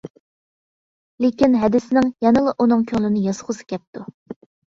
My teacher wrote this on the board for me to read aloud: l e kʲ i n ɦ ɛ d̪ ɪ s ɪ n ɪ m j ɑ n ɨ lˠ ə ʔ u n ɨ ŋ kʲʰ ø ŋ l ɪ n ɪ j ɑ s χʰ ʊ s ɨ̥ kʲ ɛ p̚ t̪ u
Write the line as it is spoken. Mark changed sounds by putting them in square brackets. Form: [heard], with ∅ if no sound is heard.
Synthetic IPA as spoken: l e kʲ i n ɦ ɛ d̪ ɪ s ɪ n ɪ [ŋ] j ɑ n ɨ lˠ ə ʔ u n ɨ ŋ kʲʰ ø ŋ l ɪ n ɪ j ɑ s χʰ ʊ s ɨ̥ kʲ ɛ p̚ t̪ u